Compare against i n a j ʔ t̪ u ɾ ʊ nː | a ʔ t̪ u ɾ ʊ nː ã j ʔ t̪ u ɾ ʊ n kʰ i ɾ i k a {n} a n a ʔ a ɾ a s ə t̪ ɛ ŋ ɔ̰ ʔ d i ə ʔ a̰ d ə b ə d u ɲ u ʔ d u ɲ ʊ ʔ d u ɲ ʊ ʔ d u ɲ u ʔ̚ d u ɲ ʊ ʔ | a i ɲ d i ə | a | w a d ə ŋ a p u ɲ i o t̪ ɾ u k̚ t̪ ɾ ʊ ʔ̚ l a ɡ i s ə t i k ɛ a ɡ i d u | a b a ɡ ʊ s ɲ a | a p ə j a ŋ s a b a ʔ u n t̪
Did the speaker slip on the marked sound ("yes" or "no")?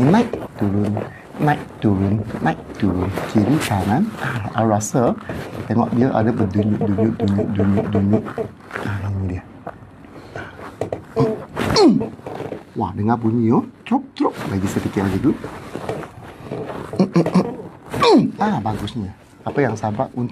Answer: no